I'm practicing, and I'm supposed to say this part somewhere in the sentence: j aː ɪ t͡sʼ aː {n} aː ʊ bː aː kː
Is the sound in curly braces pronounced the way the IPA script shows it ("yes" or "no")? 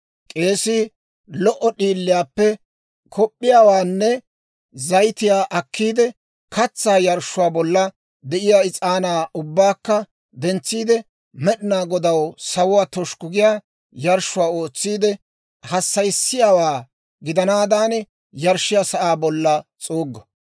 yes